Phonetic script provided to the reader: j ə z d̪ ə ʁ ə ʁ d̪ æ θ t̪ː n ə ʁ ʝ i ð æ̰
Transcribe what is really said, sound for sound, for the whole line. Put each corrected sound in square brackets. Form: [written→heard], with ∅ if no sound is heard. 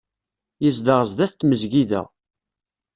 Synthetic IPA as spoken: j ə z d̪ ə ʁ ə [ʁ→z] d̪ æ θ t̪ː [n→m] ə [ʁ→z] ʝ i ð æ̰